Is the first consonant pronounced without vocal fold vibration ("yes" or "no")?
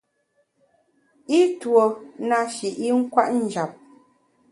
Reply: yes